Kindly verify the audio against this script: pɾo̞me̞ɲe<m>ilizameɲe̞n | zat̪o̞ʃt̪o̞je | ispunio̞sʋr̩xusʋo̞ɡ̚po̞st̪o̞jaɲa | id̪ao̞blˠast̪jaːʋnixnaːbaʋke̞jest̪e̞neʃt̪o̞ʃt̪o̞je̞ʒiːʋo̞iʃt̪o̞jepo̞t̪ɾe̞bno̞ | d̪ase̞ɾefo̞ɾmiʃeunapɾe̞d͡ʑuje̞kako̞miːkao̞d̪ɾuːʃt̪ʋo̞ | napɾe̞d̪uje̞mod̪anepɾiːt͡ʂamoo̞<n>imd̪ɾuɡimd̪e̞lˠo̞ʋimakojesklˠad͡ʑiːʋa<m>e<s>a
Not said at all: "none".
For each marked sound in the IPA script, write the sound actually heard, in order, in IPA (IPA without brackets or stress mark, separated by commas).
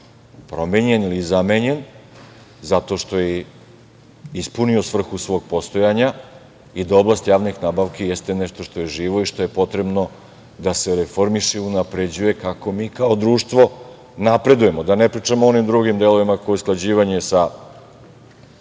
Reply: n, n, ɲ, s